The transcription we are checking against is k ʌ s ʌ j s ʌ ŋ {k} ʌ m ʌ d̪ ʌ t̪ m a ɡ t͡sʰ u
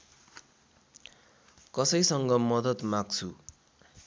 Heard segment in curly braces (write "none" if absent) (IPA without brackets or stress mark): ɡ